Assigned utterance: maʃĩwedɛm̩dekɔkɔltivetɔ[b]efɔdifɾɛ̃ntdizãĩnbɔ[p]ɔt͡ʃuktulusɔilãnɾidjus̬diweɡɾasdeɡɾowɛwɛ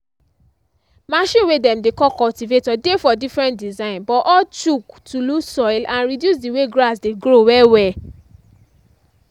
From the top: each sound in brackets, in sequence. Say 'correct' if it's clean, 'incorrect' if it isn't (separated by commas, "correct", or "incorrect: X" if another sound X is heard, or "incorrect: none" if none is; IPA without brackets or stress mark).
incorrect: d, incorrect: ʔ